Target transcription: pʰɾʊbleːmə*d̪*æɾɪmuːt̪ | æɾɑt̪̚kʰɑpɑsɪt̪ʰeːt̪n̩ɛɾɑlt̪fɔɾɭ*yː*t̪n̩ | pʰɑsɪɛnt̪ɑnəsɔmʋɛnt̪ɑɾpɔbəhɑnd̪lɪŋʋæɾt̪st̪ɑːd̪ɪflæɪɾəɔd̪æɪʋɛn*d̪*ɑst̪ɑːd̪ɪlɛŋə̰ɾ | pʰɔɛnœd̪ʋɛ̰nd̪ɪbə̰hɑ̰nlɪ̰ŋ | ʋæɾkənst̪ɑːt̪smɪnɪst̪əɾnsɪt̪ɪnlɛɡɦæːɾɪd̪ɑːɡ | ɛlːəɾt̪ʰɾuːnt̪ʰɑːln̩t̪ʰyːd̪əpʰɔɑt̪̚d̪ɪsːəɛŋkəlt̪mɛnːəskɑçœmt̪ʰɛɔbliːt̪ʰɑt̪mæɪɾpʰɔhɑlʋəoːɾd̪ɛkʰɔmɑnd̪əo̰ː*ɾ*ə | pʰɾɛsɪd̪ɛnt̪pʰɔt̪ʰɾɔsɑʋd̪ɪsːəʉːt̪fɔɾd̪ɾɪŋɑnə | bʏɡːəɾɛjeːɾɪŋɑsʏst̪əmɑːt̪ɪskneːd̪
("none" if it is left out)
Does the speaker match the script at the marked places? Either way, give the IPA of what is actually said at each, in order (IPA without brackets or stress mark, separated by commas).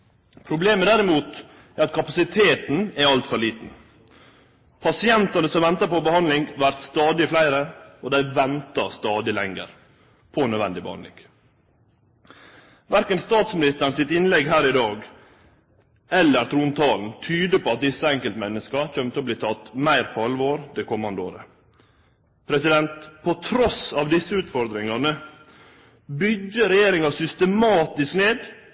d̪, iː, t̪, ɾ